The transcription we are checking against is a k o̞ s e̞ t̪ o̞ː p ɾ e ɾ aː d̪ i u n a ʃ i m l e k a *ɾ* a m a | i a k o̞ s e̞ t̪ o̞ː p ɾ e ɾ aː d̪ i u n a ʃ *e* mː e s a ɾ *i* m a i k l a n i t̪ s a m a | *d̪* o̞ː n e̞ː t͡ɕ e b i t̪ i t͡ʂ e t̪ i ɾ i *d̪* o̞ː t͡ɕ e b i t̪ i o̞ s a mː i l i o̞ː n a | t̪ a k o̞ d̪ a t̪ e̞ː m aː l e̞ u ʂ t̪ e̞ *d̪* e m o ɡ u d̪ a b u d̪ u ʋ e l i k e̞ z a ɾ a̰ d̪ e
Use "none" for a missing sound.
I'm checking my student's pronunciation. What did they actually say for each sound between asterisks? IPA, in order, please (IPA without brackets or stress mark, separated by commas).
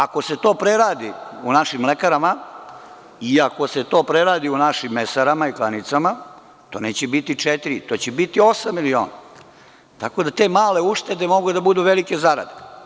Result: ɾ, i, a, t̪, t̪, d̪